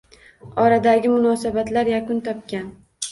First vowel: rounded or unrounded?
rounded